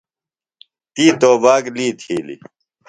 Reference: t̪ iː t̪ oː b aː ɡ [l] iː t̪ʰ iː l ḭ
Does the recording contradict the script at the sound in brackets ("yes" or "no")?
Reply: no